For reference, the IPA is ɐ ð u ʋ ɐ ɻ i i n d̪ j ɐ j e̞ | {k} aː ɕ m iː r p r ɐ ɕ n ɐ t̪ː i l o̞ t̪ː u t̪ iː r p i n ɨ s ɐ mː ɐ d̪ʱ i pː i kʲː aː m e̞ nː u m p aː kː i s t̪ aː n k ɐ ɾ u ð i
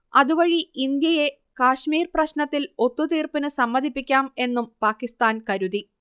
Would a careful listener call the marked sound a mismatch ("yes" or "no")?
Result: no